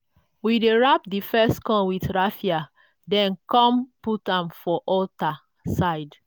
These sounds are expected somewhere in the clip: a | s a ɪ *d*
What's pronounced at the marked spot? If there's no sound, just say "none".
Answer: d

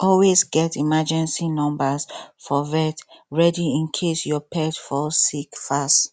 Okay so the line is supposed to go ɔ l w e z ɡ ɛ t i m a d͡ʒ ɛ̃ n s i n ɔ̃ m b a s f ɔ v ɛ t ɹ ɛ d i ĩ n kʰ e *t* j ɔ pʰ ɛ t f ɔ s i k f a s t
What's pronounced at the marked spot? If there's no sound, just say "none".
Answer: s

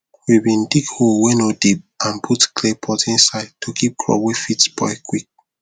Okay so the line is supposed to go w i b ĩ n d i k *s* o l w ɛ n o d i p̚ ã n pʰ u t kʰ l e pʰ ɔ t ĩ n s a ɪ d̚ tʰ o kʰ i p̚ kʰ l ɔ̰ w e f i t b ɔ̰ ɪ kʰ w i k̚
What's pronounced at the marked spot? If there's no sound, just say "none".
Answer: h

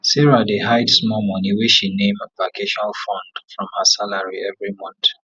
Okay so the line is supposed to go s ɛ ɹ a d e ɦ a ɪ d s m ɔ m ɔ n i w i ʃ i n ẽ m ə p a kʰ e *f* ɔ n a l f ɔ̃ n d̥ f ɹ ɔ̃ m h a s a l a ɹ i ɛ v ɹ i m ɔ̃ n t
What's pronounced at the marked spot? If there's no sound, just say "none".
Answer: ʃ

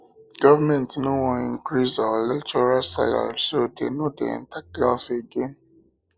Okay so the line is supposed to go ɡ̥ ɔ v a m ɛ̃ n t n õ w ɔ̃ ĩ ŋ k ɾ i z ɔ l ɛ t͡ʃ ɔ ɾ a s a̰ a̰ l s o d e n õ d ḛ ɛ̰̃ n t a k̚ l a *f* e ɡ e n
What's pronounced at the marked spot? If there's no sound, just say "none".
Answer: s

